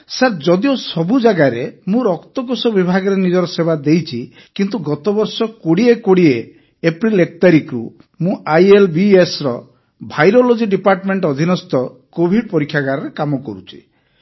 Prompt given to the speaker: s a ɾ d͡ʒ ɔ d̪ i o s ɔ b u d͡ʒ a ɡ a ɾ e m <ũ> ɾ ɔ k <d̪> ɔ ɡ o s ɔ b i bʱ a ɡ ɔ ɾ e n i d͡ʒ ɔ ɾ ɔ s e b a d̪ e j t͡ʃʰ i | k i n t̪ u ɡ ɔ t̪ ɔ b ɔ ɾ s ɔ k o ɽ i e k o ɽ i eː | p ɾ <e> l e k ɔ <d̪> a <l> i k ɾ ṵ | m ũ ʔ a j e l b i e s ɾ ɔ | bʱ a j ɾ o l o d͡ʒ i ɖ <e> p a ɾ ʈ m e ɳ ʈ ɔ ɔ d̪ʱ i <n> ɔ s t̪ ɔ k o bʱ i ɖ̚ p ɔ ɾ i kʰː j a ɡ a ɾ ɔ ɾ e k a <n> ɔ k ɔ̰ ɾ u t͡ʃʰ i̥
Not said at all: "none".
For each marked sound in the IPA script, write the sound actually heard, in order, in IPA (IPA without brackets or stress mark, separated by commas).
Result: ũ, t̪, i, t̪, ɾ, i, n, m